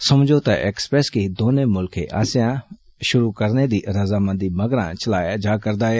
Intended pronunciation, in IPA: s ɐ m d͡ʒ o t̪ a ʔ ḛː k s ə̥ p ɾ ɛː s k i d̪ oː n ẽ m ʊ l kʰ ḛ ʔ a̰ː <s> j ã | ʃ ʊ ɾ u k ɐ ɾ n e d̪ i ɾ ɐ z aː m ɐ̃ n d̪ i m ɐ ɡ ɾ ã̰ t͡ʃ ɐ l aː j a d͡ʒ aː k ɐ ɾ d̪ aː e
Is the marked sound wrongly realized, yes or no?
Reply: no